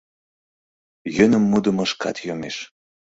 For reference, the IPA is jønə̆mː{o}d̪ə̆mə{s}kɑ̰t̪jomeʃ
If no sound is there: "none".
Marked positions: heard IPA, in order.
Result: u, ʃ

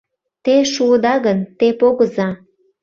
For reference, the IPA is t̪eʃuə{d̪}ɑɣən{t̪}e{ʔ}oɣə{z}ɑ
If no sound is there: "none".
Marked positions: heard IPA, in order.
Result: d̪, t̪, p, z

